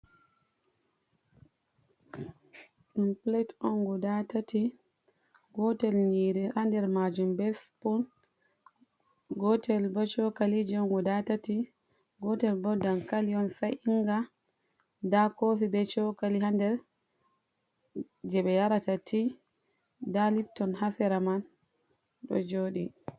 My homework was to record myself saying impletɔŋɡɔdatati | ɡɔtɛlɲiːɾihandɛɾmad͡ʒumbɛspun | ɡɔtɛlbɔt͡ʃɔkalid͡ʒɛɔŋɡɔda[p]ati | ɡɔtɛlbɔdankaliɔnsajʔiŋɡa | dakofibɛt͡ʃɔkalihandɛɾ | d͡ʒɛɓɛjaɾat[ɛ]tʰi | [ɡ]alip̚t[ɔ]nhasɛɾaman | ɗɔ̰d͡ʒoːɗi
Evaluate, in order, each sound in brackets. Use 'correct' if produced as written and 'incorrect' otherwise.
incorrect, incorrect, incorrect, correct

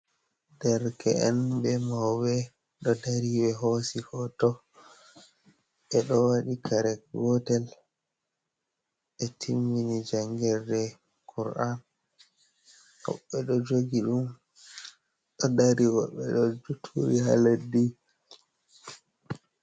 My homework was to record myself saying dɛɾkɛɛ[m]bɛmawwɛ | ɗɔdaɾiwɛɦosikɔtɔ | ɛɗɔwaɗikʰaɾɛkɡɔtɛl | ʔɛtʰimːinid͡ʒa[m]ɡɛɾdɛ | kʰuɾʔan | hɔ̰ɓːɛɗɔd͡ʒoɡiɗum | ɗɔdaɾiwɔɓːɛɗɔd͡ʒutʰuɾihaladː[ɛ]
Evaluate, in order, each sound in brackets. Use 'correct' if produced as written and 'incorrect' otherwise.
incorrect, incorrect, incorrect

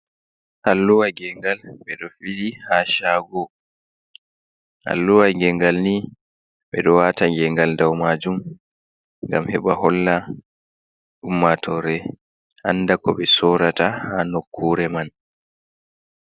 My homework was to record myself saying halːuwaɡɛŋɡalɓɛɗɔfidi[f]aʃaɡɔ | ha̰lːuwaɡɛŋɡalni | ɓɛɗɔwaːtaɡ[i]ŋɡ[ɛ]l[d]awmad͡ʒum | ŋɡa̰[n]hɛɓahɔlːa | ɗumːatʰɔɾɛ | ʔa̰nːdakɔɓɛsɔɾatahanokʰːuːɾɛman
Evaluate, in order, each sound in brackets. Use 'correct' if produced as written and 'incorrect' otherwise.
incorrect, incorrect, incorrect, correct, incorrect

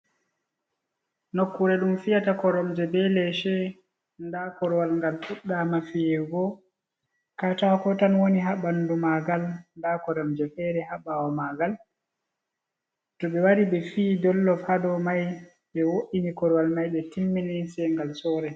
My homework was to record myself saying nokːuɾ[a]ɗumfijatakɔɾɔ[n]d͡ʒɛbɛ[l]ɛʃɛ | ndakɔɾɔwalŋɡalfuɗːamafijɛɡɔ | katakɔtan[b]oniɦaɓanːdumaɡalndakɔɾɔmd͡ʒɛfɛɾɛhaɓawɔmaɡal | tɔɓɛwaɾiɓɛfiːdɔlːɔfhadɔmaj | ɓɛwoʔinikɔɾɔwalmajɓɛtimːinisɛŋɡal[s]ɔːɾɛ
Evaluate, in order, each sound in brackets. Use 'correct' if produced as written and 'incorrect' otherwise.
incorrect, incorrect, correct, incorrect, correct

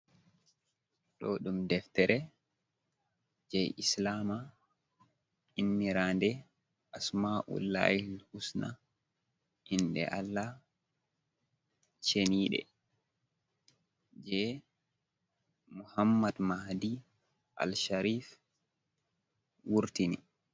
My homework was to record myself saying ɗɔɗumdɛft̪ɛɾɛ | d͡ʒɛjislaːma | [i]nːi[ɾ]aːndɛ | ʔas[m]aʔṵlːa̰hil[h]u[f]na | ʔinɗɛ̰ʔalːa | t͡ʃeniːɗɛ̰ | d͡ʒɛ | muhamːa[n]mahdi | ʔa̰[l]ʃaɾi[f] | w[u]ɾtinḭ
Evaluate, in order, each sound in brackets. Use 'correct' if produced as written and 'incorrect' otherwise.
correct, correct, correct, correct, incorrect, incorrect, correct, correct, correct

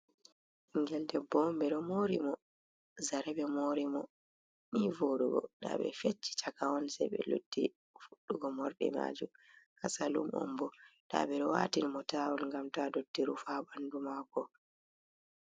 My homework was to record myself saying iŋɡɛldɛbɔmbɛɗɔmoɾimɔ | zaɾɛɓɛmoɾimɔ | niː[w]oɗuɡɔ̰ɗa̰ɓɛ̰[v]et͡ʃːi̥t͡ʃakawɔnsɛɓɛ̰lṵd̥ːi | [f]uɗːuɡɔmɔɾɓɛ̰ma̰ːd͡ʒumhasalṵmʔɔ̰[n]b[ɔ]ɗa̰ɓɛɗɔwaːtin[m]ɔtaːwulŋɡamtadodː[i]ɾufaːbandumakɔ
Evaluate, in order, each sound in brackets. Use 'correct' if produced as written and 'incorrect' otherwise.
incorrect, incorrect, correct, incorrect, correct, correct, correct

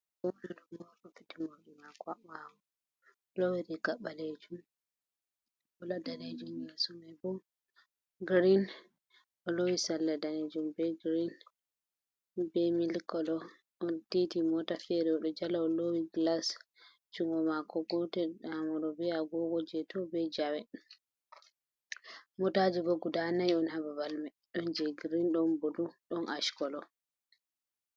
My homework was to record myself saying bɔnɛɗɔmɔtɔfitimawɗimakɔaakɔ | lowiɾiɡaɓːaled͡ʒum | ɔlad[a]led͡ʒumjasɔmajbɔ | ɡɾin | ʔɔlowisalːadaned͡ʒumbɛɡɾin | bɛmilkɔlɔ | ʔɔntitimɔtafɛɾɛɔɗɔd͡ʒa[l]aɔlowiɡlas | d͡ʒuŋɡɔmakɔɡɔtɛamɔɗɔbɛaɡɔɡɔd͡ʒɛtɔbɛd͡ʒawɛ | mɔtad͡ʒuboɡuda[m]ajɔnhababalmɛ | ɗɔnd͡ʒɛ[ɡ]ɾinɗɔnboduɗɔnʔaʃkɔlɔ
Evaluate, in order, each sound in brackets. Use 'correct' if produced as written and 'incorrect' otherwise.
correct, correct, incorrect, correct

